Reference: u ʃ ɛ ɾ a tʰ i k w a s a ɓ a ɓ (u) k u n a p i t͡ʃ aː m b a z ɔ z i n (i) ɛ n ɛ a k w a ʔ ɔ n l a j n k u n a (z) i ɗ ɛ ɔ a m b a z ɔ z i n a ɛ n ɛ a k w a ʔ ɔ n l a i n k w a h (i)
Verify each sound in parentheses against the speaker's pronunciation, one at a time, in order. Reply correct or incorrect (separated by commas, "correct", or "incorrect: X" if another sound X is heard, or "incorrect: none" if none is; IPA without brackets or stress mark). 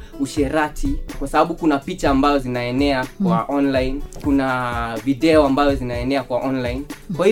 correct, incorrect: a, incorrect: v, correct